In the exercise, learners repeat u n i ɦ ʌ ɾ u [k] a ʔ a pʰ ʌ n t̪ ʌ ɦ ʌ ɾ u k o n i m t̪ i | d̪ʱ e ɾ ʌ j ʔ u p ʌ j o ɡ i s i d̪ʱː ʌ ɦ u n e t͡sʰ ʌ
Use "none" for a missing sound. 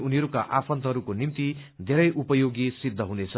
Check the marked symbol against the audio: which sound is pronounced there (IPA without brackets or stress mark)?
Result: k